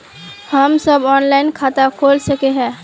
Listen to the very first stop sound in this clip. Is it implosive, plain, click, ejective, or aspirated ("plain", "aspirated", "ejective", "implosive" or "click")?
plain